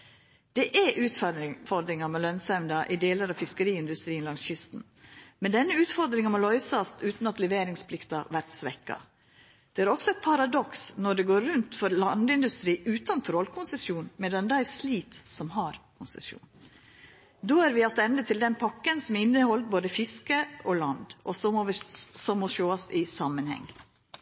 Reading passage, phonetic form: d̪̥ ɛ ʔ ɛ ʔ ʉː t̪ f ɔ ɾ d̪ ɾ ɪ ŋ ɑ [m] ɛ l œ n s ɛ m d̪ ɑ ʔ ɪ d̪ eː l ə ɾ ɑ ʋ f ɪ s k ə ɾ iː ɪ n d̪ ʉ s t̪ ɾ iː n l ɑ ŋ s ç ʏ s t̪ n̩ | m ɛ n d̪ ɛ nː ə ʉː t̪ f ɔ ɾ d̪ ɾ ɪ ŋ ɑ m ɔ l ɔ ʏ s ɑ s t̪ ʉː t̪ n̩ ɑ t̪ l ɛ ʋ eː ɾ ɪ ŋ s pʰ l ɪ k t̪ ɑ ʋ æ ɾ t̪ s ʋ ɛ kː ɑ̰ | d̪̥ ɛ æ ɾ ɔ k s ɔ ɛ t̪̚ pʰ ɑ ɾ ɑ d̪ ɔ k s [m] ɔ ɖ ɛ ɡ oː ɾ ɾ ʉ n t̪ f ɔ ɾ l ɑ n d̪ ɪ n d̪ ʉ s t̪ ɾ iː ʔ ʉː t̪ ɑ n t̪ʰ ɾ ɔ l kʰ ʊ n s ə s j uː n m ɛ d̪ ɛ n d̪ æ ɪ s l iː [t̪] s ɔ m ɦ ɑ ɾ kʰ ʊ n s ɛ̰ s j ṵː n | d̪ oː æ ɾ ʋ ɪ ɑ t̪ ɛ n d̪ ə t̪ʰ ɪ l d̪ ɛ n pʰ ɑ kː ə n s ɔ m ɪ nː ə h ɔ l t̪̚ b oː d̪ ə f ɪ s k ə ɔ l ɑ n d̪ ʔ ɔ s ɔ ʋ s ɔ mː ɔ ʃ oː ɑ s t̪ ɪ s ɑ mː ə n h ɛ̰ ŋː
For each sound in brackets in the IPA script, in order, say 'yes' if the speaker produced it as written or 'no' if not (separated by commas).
yes, no, yes